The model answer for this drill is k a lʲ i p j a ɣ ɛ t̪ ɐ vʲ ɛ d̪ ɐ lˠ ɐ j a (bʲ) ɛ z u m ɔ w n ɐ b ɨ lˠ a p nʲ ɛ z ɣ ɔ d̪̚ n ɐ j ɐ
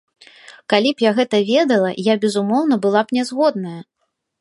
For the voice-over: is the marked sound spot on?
yes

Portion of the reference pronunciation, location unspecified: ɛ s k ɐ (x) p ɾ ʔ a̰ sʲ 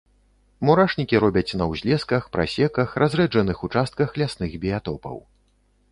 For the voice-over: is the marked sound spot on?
yes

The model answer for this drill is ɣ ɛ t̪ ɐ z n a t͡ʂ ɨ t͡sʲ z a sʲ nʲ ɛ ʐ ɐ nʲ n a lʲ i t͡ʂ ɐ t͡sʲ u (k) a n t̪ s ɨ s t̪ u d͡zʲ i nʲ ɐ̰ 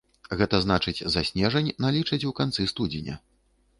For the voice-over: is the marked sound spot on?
yes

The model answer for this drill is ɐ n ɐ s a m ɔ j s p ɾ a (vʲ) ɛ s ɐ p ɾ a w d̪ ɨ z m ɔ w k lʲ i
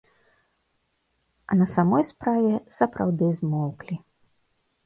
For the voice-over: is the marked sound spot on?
yes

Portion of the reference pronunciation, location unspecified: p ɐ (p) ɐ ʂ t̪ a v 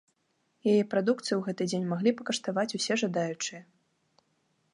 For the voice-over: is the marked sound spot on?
no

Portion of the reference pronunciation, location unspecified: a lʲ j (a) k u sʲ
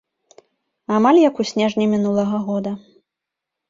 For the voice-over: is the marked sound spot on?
no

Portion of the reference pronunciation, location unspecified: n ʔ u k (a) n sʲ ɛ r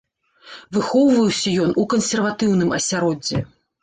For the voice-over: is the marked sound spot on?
no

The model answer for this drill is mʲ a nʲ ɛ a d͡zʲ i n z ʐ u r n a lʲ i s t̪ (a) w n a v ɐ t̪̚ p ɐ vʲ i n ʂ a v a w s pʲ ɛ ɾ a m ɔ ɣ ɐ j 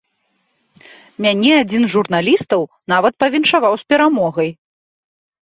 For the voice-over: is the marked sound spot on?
no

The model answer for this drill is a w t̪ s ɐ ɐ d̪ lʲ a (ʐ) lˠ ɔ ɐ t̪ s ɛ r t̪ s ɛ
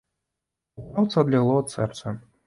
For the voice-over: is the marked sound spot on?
no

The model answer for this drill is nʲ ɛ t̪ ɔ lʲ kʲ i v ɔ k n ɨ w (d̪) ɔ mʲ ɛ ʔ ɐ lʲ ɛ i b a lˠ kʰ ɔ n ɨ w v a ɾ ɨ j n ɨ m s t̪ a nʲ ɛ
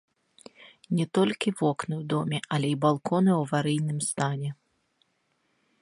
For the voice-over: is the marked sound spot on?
yes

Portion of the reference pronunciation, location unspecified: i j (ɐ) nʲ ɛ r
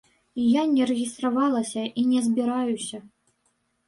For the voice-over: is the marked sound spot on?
no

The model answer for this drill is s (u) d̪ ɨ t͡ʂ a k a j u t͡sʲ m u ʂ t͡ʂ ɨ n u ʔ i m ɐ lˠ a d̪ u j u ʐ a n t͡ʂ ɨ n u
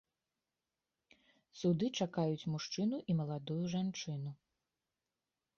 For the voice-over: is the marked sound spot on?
yes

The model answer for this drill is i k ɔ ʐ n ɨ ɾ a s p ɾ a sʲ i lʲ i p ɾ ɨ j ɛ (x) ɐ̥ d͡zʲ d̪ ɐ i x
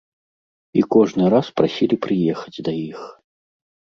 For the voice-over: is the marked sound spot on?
yes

